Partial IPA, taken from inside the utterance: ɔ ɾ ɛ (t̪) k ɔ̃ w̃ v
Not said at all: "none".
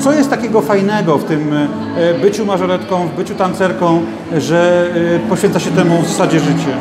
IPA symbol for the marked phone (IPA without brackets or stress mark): t̪